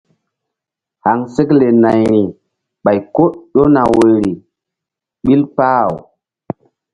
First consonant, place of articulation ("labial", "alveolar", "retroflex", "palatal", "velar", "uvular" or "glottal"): glottal